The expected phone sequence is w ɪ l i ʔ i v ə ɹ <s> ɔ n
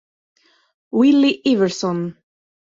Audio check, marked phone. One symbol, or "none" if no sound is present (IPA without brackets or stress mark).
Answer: s